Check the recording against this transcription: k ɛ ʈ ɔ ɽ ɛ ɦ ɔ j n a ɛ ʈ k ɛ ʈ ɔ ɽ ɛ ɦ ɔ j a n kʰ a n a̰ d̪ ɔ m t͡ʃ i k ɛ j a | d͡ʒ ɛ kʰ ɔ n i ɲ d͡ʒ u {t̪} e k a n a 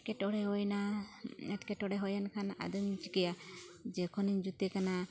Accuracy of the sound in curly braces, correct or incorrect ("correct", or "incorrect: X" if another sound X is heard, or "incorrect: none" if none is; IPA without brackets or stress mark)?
correct